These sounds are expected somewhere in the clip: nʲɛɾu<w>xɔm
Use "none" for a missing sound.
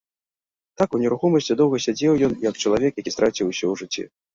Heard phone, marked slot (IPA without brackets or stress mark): none